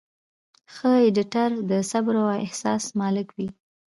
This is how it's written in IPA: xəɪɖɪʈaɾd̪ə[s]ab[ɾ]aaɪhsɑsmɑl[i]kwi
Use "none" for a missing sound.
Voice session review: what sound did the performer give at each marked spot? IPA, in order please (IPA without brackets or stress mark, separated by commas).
s, ɾ, ɪ